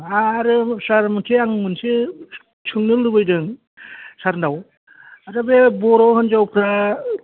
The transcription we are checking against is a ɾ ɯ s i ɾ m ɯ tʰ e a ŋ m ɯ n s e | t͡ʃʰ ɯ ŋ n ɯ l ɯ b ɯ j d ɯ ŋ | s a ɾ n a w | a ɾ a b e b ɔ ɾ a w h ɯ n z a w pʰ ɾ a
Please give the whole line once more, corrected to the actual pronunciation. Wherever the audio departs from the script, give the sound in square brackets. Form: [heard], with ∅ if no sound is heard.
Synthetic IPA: a ɾ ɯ s [a] ɾ m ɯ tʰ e a ŋ m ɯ n s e | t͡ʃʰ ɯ ŋ n ɯ l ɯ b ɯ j d ɯ ŋ | s a ɾ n a w | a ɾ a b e b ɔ ɾ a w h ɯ n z a w pʰ ɾ a